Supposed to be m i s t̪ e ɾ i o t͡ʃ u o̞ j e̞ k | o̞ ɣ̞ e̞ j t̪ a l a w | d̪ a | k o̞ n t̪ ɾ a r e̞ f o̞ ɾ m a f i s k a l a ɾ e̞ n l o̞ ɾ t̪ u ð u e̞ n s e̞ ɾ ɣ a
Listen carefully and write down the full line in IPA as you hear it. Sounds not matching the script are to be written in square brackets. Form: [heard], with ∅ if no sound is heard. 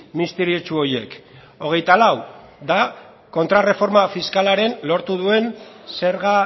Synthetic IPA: m i s t̪ e ɾ i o t͡ʃ u o̞ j e̞ k | o̞ ɣ̞ e̞ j t̪ a l a w | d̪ a | k o̞ n t̪ ɾ a r e̞ f o̞ ɾ m a f i s k a l a ɾ e̞ n l o̞ ɾ t̪ u ð u e̞ n s e̞ ɾ ɣ a